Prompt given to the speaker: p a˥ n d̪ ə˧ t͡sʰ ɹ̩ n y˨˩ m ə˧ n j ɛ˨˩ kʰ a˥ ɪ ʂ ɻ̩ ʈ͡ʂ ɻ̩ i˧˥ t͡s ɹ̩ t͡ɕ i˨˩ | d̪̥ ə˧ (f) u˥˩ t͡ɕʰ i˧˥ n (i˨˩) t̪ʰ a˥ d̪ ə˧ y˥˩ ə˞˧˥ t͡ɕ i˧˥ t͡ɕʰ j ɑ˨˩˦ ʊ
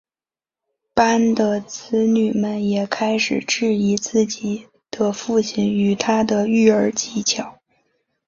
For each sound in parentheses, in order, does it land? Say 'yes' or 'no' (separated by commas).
yes, no